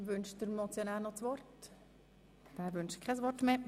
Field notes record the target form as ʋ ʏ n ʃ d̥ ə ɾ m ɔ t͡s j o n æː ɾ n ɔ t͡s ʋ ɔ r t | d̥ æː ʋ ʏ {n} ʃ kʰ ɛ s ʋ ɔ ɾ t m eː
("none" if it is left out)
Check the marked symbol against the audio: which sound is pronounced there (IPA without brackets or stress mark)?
n